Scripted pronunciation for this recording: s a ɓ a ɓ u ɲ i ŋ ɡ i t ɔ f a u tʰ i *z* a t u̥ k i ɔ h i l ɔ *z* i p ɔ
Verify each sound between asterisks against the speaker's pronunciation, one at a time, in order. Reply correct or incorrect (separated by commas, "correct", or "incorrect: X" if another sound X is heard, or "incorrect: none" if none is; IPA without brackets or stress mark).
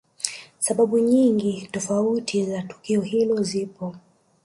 correct, correct